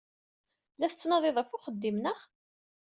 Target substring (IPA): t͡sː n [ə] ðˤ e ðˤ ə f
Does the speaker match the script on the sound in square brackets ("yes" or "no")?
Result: no